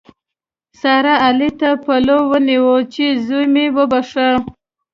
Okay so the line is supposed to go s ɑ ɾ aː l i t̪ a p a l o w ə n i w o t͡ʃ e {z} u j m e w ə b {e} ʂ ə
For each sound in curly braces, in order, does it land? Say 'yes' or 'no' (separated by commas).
yes, no